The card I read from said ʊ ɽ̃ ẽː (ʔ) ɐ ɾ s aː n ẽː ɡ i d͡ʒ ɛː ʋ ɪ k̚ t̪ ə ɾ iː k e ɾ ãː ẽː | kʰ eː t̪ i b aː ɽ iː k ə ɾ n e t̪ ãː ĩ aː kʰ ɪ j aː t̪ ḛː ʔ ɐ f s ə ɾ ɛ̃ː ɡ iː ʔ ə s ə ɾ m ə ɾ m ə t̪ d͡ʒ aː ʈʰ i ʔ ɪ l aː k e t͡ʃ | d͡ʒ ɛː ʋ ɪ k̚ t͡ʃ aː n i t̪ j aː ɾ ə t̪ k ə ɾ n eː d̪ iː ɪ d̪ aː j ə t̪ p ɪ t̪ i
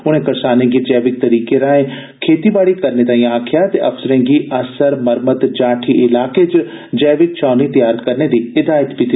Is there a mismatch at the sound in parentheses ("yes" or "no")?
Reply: yes